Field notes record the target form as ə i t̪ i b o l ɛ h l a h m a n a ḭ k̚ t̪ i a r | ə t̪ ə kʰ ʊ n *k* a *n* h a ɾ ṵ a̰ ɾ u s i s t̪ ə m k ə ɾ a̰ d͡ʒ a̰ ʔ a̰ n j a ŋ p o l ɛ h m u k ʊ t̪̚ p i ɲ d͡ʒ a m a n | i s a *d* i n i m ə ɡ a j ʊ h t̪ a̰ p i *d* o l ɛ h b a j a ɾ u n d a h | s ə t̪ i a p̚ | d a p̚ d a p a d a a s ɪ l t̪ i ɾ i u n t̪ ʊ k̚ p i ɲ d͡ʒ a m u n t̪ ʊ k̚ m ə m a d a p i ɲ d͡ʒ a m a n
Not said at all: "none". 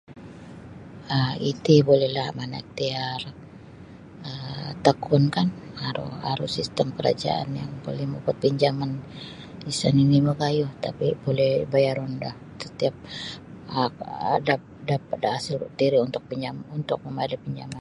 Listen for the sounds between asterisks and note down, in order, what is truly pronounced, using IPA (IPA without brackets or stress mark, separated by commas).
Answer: k, n, n, b